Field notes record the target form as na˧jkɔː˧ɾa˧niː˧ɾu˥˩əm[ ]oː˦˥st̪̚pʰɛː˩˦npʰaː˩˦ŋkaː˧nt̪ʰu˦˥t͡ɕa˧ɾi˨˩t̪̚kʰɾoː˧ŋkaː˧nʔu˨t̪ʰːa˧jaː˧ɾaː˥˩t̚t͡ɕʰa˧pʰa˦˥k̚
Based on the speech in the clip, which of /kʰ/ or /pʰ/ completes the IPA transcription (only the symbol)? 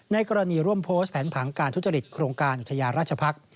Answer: pʰ